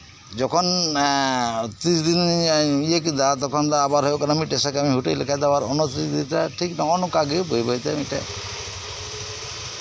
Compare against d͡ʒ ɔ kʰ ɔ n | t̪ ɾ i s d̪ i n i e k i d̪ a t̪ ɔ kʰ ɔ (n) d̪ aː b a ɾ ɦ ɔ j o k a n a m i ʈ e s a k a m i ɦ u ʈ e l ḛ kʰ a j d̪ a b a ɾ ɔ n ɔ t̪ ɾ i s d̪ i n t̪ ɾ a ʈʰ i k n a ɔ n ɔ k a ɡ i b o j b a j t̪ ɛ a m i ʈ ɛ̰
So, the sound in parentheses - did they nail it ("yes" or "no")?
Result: yes